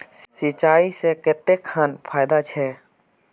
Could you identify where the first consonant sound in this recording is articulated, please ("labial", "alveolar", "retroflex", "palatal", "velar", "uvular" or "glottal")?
alveolar